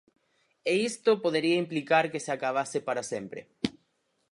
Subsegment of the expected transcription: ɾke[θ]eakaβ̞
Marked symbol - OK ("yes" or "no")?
no